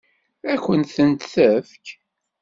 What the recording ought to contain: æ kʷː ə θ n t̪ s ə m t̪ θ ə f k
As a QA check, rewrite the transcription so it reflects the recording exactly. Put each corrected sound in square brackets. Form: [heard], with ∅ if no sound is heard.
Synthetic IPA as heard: æ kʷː ə [∅] n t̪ [θ] ə [n] t̪ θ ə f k